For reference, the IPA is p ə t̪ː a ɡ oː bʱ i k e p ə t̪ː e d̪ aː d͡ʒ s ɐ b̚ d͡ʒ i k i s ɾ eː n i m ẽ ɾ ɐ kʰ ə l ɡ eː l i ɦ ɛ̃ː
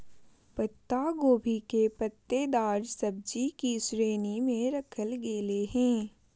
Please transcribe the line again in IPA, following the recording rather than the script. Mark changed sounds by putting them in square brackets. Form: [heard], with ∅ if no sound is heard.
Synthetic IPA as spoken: p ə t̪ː a ɡ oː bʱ i k e p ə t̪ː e d̪ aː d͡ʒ s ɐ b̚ d͡ʒ i k i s ɾ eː n i m ẽ ɾ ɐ kʰ ə l ɡ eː l [e] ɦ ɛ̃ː